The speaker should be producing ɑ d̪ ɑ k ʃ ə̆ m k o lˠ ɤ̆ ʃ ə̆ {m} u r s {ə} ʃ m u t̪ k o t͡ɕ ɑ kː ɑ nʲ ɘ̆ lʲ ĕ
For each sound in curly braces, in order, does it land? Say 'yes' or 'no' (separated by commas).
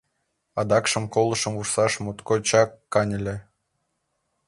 yes, no